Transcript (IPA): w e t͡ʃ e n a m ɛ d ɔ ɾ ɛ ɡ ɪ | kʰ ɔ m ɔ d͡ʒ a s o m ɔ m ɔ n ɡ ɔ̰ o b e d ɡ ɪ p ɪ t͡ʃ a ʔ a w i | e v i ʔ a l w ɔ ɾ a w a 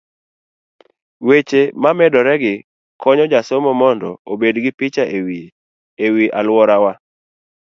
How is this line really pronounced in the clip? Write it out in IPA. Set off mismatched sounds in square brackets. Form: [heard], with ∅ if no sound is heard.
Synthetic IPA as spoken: w e t͡ʃ e [m] a m ɛ d ɔ ɾ ɛ ɡ ɪ | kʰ ɔ [ɲ] ɔ d͡ʒ a s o m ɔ m ɔ n [d] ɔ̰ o b e d ɡ ɪ p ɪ t͡ʃ a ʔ [e] w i | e [w] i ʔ a l w ɔ ɾ a w a